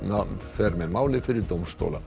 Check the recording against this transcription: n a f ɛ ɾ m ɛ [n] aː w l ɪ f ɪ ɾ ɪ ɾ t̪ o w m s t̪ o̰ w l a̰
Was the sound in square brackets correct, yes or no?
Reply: no